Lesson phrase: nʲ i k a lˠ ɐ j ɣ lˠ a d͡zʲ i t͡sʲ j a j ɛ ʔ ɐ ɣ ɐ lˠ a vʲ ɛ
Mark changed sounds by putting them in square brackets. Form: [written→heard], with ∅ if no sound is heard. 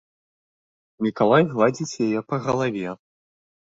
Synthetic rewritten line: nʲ i k a lˠ [ɐ→a] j ɣ lˠ a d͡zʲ i t͡sʲ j a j ɛ [ʔ→p] ɐ ɣ ɐ lˠ a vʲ ɛ

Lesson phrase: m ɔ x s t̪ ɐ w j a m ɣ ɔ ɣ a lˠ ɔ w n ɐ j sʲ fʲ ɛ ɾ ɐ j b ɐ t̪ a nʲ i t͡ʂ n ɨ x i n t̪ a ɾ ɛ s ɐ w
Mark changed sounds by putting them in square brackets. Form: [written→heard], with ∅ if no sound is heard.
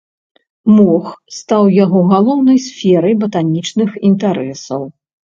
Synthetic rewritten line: m ɔ x s t̪ [ɐ→a] w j a [m→∅] ɣ ɔ ɣ a lˠ ɔ w n ɐ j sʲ fʲ ɛ ɾ ɐ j b ɐ t̪ a nʲ i t͡ʂ n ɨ x i n t̪ a ɾ ɛ s ɐ w

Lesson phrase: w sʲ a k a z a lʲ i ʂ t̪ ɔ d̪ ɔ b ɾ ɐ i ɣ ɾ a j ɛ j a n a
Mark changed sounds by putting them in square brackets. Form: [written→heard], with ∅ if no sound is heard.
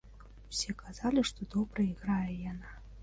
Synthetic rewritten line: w sʲ [a→ɛ] k a z a lʲ i ʂ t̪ ɔ d̪ ɔ b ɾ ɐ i ɣ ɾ a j ɛ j a n a

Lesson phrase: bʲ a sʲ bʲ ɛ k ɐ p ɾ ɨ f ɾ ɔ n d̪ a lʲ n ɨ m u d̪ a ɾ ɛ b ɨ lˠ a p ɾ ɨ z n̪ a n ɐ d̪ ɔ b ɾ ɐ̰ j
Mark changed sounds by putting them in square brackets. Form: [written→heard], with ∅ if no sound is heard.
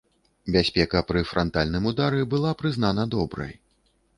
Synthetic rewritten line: bʲ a sʲ [bʲ→pʲ] ɛ k ɐ p ɾ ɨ f ɾ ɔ n [d̪→t̪] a lʲ n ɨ m u d̪ a ɾ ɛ b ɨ lˠ a p ɾ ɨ z n̪ a n ɐ d̪ ɔ b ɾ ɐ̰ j

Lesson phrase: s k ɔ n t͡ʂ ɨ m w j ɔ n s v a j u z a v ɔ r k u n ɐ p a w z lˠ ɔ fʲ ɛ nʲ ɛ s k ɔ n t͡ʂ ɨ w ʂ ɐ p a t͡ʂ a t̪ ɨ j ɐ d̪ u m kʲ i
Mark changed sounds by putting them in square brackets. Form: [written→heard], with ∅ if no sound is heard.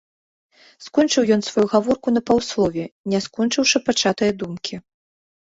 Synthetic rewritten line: s k ɔ n t͡ʂ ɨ [m→∅] w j ɔ n s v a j u [z→ɣ] a v ɔ r k u n ɐ p a w [z→s] lˠ ɔ [fʲ→vʲ] ɛ nʲ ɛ s k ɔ n t͡ʂ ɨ w ʂ ɐ p a t͡ʂ a t̪ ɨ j ɐ d̪ u m kʲ i

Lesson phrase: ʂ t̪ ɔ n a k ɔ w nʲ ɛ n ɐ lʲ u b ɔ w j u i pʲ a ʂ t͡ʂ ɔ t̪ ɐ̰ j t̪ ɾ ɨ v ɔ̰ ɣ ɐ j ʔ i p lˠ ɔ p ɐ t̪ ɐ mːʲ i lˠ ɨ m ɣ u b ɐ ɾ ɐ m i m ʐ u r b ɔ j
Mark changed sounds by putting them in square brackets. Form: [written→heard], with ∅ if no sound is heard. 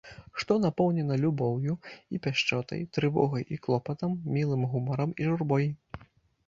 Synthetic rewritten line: ʂ t̪ ɔ n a [k→p] ɔ w nʲ ɛ n ɐ lʲ u b ɔ w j u i pʲ a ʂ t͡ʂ ɔ t̪ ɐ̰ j t̪ ɾ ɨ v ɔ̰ ɣ ɐ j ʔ i [p→k] lˠ ɔ p ɐ t̪ ɐ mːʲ i lˠ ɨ m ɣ u [b→m] ɐ ɾ ɐ m i [m→∅] ʐ u r b ɔ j

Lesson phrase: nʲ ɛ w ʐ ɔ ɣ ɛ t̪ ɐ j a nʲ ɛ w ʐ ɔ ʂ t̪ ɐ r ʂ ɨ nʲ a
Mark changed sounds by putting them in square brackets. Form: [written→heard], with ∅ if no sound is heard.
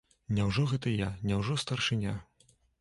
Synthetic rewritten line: nʲ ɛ w ʐ ɔ ɣ ɛ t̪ ɐ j a nʲ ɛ w ʐ ɔ [ʂ→s] t̪ ɐ r ʂ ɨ nʲ a

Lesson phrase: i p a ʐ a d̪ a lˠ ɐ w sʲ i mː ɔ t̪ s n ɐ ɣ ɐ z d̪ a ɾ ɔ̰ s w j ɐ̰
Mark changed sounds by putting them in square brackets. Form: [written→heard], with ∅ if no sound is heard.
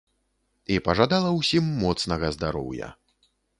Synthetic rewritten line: i p [a→ɐ] ʐ a d̪ a lˠ ɐ w sʲ i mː ɔ t̪ s n ɐ ɣ ɐ z d̪ a ɾ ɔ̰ [s→∅] w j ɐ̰

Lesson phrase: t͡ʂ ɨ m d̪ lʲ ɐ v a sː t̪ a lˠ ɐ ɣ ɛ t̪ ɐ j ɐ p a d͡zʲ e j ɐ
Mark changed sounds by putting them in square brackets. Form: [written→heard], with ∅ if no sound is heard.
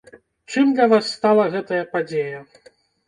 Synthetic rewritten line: t͡ʂ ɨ m d̪ lʲ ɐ v a sː t̪ a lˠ ɐ ɣ ɛ t̪ ɐ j ɐ p a d͡zʲ e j ɐ

